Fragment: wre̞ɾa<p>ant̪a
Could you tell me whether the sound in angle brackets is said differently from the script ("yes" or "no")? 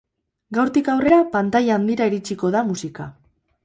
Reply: no